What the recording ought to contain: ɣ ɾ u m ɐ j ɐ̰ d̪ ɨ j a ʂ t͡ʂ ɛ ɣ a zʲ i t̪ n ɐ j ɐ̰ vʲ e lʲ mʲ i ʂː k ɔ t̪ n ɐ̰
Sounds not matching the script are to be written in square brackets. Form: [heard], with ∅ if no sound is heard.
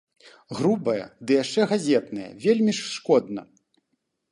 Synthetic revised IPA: ɣ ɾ u [b] ɐ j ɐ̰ d̪ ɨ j a ʂ t͡ʂ ɛ ɣ a zʲ [ɛ] t̪ n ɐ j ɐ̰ vʲ e lʲ mʲ i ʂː k ɔ [d̪] n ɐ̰